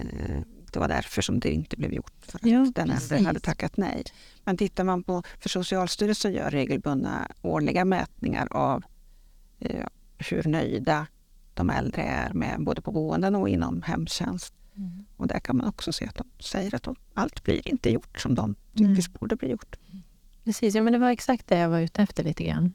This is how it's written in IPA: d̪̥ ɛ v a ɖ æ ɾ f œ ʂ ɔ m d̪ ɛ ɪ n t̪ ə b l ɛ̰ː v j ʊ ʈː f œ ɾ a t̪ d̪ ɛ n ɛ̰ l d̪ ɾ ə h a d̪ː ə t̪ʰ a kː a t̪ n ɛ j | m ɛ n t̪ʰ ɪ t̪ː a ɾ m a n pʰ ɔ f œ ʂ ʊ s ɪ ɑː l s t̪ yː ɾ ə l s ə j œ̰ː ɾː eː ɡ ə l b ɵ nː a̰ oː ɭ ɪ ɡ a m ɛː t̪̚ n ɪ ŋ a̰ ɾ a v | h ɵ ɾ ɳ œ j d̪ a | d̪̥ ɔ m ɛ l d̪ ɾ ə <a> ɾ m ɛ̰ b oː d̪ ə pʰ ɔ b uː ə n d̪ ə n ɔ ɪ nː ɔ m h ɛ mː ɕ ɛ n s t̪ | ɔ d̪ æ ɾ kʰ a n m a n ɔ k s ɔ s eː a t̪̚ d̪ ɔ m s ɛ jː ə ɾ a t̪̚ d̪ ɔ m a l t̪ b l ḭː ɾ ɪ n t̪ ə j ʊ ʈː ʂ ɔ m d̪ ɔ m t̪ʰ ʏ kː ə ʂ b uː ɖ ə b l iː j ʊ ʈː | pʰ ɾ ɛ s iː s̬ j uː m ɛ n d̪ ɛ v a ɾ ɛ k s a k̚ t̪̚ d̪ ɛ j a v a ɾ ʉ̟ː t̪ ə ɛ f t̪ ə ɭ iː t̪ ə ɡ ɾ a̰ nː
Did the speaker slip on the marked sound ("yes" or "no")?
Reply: yes